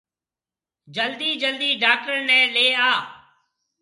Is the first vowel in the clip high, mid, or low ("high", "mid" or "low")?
mid